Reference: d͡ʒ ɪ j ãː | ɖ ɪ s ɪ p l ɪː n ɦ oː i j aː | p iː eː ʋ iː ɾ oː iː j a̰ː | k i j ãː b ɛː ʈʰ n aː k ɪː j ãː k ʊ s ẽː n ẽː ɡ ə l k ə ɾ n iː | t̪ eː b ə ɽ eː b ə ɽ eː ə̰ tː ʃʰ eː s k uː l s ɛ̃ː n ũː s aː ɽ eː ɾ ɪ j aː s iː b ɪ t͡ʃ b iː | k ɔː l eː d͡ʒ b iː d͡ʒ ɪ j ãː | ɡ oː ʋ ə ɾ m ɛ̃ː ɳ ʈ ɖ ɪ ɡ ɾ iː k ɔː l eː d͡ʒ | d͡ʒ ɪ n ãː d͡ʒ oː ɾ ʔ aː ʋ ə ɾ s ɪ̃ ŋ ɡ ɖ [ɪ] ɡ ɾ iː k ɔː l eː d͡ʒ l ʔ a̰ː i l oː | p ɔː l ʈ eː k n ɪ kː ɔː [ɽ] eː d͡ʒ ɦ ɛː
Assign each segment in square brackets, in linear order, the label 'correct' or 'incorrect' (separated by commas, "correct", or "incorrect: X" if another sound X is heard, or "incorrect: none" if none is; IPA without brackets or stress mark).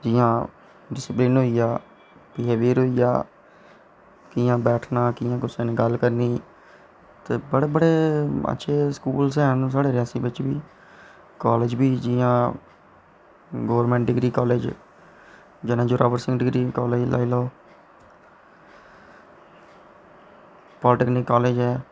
correct, incorrect: l